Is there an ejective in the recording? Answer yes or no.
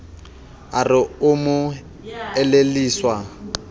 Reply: no